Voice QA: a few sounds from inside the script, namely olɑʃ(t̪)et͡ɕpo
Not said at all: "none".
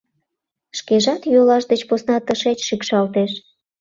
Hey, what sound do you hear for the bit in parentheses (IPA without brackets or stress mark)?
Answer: d̪